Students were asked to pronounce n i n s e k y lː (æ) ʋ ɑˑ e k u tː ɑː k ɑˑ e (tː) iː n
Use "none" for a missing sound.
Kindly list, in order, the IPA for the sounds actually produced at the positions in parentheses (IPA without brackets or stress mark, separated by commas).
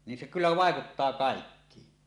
æ, kː